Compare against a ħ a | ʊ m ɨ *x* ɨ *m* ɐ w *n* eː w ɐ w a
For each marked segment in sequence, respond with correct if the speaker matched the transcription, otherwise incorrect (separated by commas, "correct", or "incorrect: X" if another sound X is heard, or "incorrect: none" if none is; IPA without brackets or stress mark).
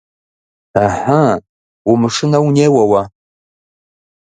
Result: incorrect: ʂ, incorrect: n, correct